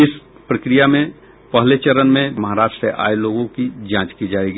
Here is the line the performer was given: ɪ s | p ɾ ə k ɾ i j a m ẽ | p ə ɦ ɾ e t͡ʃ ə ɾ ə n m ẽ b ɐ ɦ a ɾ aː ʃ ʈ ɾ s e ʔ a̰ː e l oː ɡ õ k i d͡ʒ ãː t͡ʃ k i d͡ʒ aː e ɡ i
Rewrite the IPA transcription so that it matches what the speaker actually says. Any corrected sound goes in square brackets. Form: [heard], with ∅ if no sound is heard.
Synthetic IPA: ɪ s | p ɾ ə k ɾ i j a m ẽ | p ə ɦ [l] e t͡ʃ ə ɾ ə n m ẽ [m] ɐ ɦ a ɾ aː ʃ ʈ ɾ s e ʔ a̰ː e l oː ɡ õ k i d͡ʒ ãː t͡ʃ k i d͡ʒ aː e ɡ i